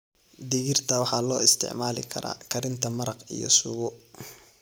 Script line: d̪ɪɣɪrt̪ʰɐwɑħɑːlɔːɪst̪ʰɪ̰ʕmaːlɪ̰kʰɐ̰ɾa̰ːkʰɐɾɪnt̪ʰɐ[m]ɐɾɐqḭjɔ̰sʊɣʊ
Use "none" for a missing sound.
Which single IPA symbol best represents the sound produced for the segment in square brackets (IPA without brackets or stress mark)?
m